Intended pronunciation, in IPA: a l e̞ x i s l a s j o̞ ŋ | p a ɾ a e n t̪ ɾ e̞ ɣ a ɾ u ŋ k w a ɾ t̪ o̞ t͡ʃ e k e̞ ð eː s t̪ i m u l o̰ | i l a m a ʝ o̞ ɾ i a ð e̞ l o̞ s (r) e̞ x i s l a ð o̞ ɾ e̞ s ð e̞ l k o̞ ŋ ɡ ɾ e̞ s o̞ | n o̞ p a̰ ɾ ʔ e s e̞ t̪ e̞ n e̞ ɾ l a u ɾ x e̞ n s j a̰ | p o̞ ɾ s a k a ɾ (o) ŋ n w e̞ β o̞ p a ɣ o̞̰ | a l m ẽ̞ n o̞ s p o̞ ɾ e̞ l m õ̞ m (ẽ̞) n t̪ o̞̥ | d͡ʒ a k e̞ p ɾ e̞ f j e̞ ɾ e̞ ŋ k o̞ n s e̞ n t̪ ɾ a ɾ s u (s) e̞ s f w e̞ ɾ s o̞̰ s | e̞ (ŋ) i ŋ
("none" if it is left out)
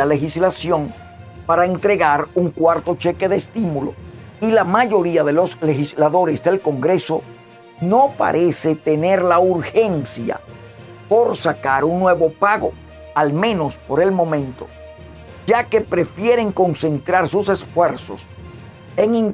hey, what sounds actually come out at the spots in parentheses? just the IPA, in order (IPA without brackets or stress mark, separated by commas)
l, u, ẽ̞, s, ŋ